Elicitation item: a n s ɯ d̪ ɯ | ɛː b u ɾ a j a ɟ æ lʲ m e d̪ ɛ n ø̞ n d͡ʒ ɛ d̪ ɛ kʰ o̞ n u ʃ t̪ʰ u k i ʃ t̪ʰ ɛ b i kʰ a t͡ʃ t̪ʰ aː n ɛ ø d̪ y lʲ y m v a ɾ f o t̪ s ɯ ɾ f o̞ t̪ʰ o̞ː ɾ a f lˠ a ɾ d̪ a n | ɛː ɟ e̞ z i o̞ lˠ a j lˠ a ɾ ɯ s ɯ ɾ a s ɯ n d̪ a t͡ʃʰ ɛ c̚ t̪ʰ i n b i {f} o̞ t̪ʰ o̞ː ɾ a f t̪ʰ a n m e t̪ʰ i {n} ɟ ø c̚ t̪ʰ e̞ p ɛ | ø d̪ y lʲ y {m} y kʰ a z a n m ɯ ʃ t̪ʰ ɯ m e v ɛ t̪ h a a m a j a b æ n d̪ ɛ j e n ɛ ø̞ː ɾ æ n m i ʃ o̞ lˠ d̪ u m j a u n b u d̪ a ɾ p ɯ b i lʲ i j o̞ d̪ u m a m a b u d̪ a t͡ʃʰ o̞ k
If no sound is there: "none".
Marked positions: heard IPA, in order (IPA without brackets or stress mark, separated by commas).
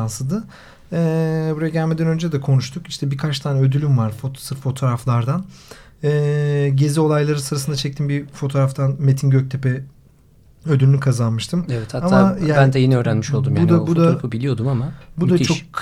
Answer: f, n, n